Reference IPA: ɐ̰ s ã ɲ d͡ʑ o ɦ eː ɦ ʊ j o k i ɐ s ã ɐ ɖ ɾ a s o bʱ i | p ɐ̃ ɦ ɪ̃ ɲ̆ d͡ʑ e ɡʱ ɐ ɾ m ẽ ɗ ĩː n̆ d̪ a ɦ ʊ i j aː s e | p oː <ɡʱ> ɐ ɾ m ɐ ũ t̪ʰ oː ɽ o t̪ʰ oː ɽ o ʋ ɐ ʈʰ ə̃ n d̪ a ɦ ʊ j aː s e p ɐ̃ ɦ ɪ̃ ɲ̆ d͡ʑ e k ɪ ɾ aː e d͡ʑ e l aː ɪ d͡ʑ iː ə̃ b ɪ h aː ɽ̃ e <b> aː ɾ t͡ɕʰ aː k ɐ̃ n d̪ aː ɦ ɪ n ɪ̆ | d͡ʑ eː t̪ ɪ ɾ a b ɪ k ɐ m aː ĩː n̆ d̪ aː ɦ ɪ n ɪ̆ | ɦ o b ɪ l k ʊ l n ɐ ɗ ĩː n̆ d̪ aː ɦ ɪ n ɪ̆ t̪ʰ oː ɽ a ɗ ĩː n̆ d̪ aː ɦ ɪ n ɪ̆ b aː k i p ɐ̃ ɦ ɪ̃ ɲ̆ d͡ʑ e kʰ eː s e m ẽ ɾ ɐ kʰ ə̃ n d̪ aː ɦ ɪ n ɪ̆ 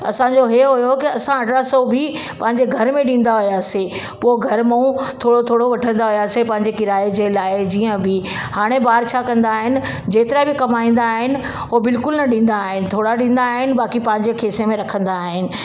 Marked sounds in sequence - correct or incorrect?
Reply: correct, correct

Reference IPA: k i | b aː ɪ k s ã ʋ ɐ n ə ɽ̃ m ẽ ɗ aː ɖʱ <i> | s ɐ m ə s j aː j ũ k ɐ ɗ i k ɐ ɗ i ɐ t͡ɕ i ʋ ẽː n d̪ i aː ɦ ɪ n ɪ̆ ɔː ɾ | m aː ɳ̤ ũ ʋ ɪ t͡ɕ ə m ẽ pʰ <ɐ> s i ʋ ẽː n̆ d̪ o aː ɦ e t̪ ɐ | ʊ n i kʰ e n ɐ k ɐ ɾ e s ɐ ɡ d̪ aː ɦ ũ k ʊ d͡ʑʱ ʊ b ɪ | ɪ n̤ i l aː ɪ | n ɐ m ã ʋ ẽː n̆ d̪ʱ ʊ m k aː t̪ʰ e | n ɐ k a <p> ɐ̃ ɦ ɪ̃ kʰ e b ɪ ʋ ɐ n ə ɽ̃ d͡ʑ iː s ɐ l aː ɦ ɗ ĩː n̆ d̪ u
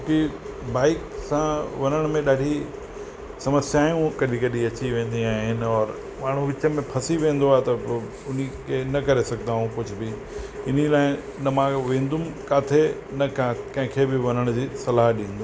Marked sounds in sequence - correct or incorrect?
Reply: correct, correct, incorrect: k

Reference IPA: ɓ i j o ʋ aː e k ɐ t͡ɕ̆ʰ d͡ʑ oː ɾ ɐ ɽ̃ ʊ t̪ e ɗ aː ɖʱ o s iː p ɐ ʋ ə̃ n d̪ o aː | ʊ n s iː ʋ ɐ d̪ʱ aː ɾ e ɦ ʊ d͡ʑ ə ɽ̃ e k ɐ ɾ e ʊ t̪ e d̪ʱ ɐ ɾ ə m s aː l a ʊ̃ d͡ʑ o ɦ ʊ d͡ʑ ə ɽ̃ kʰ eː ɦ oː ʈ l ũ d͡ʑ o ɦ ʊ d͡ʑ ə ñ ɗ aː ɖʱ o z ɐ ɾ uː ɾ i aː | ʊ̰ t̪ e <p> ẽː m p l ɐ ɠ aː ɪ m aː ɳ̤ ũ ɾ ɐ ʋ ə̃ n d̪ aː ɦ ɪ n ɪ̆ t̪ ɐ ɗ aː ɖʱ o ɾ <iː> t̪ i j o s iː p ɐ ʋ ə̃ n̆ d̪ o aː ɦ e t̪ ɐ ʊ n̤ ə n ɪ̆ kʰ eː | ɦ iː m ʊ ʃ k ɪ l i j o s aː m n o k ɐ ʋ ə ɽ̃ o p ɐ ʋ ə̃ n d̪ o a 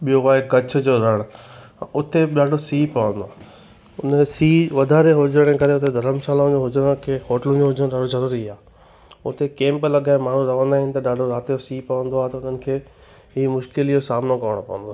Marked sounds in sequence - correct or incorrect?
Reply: incorrect: k, incorrect: aː

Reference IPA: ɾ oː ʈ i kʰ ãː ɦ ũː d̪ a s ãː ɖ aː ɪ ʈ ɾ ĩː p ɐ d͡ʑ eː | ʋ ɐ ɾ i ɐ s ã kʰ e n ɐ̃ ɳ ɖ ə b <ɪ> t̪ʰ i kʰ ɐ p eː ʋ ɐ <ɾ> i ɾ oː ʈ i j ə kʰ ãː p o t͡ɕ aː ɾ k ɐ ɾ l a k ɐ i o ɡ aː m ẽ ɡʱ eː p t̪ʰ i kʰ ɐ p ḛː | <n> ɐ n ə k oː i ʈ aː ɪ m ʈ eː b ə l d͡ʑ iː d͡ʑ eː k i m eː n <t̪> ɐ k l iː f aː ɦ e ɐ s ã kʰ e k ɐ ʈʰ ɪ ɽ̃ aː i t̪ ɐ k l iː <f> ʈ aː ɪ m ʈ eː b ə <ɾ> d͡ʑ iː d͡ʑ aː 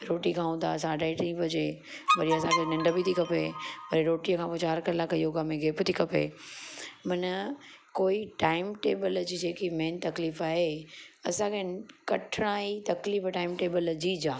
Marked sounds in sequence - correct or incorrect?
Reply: incorrect: i, correct, incorrect: m, correct, correct, incorrect: l

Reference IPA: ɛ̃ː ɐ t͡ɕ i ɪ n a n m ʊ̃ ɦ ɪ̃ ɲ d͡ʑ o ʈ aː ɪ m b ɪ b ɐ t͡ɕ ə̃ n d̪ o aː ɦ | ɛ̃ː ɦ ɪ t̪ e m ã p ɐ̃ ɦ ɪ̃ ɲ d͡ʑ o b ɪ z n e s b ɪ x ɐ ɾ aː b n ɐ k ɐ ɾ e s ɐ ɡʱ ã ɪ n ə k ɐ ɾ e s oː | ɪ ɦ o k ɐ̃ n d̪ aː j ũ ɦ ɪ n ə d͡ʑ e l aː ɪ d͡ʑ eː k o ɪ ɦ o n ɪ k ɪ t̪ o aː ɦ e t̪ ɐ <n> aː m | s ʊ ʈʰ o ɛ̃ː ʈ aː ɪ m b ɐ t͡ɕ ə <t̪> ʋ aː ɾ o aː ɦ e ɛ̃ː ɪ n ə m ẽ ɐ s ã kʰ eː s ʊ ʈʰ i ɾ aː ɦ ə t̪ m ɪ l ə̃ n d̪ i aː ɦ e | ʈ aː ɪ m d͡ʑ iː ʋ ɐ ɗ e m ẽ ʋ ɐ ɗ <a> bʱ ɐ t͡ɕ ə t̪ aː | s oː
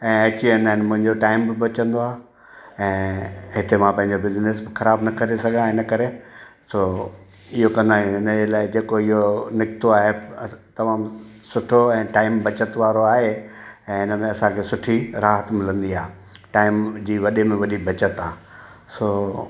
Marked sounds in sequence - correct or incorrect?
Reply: incorrect: m, correct, incorrect: i

